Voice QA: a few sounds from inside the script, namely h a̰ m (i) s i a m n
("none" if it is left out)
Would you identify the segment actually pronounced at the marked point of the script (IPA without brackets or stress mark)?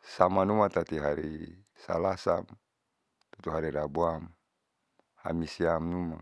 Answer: i